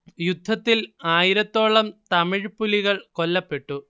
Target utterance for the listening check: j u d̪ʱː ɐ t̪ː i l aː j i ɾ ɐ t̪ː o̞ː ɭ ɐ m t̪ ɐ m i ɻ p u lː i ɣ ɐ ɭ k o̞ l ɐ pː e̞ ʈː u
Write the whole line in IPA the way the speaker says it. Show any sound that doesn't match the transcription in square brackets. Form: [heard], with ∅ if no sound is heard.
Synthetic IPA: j u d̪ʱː ɐ t̪ː i l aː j i ɾ ɐ t̪ː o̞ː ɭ ɐ m t̪ ɐ m i ɻ p u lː i ɣ ɐ ɭ k o̞ [lː] ɐ pː e̞ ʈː u